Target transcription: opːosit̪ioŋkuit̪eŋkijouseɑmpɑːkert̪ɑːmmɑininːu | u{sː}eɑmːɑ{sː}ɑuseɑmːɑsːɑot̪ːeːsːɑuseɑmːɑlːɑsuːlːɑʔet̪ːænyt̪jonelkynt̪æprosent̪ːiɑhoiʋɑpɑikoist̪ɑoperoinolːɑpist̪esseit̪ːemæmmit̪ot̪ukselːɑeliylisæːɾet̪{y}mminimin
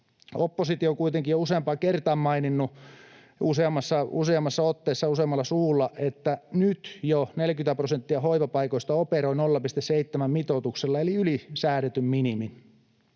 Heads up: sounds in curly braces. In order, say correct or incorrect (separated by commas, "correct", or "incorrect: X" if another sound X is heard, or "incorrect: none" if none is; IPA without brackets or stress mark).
incorrect: s, correct, correct